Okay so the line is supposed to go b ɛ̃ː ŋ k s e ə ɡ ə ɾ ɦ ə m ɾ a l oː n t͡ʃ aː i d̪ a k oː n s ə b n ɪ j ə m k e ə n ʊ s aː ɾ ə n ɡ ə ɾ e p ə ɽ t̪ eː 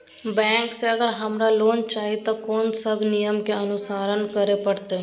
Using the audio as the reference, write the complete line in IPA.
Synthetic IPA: b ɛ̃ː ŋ k s e ə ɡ ə ɾ ɦ ə m ɾ a l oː n t͡ʃ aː i t̪ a k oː n s ə b n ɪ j ə m k e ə n ʊ s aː ɾ ə n k ə ɾ e p ə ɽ t̪ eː